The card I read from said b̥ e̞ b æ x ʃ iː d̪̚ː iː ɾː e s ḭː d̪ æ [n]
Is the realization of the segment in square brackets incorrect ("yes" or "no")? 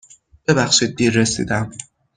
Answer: yes